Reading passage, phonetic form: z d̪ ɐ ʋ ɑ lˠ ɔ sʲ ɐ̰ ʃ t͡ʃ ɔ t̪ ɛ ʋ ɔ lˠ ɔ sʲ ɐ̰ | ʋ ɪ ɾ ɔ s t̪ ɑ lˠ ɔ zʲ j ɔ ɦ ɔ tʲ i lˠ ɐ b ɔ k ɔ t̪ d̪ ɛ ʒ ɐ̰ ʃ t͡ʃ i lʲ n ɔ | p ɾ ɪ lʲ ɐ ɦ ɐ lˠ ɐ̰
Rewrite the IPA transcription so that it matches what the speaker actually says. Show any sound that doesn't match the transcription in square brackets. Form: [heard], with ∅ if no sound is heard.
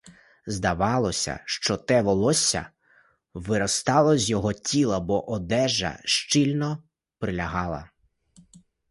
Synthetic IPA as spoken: z d̪ ɐ ʋ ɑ lˠ ɔ sʲ ɐ̰ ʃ t͡ʃ ɔ t̪ ɛ ʋ ɔ lˠ ɔ sʲ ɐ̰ | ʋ ɪ ɾ ɔ s t̪ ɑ lˠ ɔ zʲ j ɔ ɦ ɔ tʲ i lˠ ɐ b ɔ [ʔ] ɔ [∅] d̪ ɛ ʒ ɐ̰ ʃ t͡ʃ i lʲ n ɔ | p ɾ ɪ lʲ ɐ ɦ [ɑ] lˠ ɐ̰